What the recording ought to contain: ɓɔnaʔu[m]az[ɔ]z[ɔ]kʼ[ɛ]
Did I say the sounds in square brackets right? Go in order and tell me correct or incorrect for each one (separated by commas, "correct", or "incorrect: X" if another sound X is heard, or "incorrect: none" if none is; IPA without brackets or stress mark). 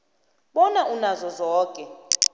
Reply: incorrect: n, correct, incorrect: ɔː, correct